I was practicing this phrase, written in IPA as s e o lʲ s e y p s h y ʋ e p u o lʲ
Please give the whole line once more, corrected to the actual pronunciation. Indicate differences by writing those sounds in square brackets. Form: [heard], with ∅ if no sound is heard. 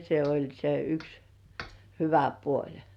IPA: s e o lʲ s e y [k] s h y ʋ [æ] p u o lʲ

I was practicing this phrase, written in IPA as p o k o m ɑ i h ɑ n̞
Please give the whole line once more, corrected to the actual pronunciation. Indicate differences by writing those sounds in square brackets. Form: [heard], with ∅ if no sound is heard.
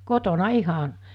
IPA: [k] o [t] o [n] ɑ i h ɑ n̞

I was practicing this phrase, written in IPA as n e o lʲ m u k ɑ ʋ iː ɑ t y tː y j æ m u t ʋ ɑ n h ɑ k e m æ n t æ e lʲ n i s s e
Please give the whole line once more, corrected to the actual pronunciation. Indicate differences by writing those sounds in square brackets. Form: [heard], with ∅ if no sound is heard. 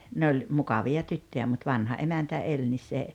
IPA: n e o lʲ m u k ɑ ʋ [i] ɑ t y tː [ø] j æ m u t ʋ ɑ n h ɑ [ʔ] e m æ n t æ e lʲ n i s s e

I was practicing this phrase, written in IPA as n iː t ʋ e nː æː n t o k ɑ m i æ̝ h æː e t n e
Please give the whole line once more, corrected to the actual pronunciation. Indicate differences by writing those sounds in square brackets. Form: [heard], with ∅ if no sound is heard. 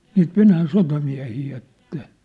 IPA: n iː t ʋ e [n] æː n [s] o [t] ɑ m i æ̝ h [iː] e t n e

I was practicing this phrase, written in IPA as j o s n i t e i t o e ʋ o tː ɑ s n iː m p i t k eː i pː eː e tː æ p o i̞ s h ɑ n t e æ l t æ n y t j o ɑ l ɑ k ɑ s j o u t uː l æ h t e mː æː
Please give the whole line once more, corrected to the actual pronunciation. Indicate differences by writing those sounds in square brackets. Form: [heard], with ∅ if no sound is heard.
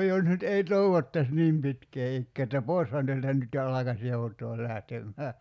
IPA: j o s n [y] t e i t o e ʋ o tː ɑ s n iː m p i t k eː i [kː] eː e tː æ p o i̞ s h ɑ n t e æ l t æ n y t j o ɑ l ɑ k ɑ s j o u t [oː] l æ h t e mː æː

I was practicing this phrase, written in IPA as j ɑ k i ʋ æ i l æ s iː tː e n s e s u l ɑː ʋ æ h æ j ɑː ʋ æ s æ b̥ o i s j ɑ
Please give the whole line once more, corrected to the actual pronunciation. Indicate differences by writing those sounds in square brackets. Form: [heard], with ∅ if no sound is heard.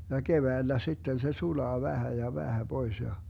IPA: j ɑ k [e] ʋ æ i [lː] æ s [i] tː e n s e s u l ɑː ʋ æ h æ j [ɑ] ʋ æ [h] æ b̥ o i s j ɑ

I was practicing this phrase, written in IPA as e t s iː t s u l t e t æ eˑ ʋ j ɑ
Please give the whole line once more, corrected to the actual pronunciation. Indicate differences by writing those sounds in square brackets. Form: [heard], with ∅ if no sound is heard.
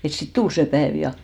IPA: e t s [i] t [t] u l [s] e [p] æ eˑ ʋ j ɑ

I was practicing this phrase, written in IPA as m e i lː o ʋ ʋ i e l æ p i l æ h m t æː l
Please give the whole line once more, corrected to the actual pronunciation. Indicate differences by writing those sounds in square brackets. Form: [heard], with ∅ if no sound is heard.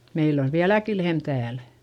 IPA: m e i lː o ʋ ʋ i [æ] l æ [k] i l [e] h m t æː l

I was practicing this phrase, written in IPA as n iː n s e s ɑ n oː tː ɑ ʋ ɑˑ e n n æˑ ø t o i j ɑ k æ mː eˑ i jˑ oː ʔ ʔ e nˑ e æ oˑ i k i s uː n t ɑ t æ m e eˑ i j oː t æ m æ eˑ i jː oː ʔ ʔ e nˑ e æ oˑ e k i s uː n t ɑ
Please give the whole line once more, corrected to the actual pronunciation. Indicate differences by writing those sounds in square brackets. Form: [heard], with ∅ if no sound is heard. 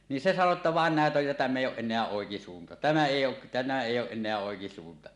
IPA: n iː n s e s ɑ n [o] tː ɑ ʋ ɑˑ e n n æˑ [e] t o [j] j ɑ [t] æ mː eˑ i jˑ oː ʔ ʔ e nˑ e æ oˑ [e] k i s uː n t ɑ t æ m [æ] eˑ i j oː t æ m æ eˑ i jː oː ʔ ʔ e nˑ e æ oˑ e k i s uː n t ɑ

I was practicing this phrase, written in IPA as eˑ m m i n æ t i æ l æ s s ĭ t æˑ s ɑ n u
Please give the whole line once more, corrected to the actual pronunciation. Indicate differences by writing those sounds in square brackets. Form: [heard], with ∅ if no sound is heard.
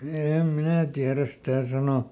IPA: eˑ m m i n æ t i æ [r] æ s s ĭ t æˑ s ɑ n [o]

